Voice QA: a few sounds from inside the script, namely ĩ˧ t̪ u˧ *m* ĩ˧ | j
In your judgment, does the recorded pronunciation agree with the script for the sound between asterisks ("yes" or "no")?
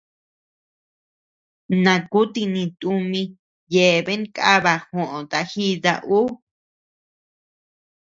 yes